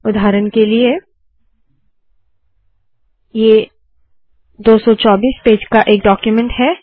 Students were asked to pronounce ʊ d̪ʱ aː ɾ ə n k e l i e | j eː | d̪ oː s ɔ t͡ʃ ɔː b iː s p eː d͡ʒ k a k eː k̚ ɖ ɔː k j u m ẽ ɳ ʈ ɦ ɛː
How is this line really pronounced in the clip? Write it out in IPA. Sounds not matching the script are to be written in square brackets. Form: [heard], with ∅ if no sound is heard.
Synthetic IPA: ʊ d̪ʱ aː ɾ ə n k e l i e | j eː | d̪ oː s ɔ t͡ʃ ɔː b iː s p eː d͡ʒ k a [ʔ] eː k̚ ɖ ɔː k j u m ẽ ɳ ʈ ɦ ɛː